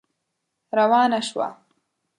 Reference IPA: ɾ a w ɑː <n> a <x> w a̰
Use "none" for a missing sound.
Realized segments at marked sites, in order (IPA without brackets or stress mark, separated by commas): n, ʃ